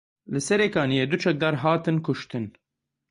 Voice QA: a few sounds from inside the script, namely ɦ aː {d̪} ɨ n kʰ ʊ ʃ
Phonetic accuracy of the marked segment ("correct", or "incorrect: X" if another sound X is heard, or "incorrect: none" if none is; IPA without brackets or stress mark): incorrect: t̪